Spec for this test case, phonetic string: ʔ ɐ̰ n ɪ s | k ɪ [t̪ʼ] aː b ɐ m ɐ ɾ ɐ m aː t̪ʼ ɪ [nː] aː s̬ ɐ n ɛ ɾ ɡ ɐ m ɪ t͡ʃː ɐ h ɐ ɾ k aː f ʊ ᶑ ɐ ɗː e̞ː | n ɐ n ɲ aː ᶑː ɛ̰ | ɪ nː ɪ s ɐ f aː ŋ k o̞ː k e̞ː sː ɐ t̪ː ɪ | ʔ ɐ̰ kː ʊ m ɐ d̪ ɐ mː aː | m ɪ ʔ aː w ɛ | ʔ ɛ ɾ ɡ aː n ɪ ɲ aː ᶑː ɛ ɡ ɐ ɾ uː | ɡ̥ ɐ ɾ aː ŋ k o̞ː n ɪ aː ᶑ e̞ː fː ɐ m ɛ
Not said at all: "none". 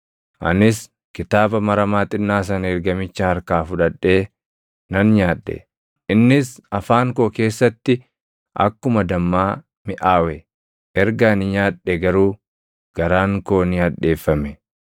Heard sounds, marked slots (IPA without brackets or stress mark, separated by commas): t̪, nː